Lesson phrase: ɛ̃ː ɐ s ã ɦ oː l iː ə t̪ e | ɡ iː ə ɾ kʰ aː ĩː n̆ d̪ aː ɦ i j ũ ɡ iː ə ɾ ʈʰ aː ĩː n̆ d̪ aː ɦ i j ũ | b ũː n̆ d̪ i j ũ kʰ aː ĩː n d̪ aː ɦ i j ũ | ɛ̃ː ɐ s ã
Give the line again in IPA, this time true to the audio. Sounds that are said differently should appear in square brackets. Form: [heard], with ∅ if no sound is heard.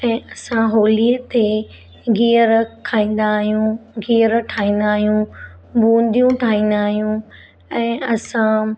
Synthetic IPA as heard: ɛ̃ː ɐ s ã ɦ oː l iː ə t̪ e | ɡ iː ə ɾ kʰ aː ĩː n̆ d̪ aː ɦ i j ũ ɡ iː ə ɾ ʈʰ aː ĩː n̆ d̪ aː ɦ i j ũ | b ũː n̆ d̪ i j ũ [ʈʰ] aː ĩː n d̪ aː ɦ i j ũ | ɛ̃ː ɐ s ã